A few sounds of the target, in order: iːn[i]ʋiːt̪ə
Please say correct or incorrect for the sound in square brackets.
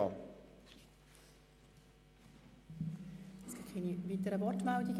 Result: correct